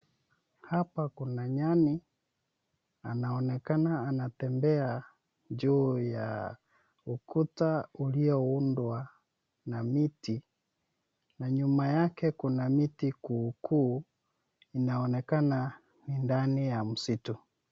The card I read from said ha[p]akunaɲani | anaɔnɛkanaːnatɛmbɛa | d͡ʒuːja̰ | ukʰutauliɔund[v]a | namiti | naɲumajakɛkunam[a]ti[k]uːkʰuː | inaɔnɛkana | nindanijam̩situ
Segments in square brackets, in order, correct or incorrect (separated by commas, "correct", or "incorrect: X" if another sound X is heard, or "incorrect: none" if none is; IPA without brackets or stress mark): correct, incorrect: w, incorrect: i, correct